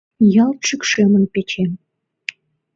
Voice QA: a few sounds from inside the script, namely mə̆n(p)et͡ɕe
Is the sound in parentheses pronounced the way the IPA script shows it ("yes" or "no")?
yes